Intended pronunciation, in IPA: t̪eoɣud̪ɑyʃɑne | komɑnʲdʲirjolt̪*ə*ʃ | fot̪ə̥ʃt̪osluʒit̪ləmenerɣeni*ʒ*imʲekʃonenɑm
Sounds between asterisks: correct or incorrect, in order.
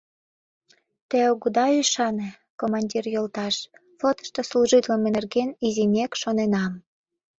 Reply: incorrect: ɑ, incorrect: z

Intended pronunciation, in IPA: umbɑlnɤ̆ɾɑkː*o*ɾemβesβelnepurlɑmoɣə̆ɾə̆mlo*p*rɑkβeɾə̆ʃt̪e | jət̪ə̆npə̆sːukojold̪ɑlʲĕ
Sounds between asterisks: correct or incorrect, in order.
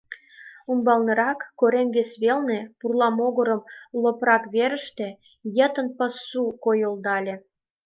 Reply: correct, correct

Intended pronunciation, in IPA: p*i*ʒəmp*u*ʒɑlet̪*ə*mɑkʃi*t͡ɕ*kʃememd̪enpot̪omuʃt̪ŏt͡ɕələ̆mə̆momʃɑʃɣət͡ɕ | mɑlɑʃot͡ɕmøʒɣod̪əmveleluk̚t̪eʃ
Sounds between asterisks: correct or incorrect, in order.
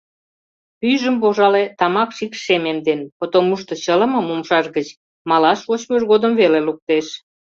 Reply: incorrect: y, incorrect: o, incorrect: ɑ, incorrect: none

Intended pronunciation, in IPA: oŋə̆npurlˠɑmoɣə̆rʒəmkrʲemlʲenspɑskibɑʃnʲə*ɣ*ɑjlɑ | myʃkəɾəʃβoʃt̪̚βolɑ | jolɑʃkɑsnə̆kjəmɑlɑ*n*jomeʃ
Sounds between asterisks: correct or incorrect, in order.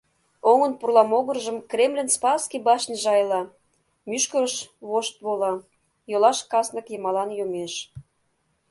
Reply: incorrect: ʒ, correct

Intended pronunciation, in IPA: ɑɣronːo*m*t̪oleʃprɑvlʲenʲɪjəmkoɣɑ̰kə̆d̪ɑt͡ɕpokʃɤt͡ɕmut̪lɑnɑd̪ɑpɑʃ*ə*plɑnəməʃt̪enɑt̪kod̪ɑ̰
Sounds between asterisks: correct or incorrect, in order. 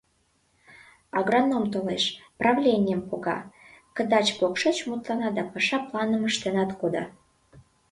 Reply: correct, incorrect: ɑ

